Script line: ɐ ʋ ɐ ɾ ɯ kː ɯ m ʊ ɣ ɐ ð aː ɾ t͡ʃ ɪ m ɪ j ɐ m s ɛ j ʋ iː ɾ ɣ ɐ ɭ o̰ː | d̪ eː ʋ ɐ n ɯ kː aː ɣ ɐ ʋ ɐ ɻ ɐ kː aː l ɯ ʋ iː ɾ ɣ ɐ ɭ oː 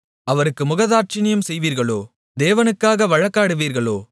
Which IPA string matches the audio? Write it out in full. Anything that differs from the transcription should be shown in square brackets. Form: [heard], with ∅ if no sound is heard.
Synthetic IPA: ɐ ʋ ɐ ɾ ɯ kː ɯ m ʊ ɣ ɐ ð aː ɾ t͡ʃ ɪ [n] ɪ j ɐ m s ɛ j ʋ iː ɾ ɣ ɐ ɭ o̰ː | d̪ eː ʋ ɐ n ɯ kː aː ɣ ɐ ʋ ɐ ɻ ɐ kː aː [ɽ] ɯ ʋ iː ɾ ɣ ɐ ɭ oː